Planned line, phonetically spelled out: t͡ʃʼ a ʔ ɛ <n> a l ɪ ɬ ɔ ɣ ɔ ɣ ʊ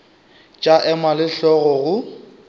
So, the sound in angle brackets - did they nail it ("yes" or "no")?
no